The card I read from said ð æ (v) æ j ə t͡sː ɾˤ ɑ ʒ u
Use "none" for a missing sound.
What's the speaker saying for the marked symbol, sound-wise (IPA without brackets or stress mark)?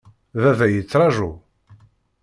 v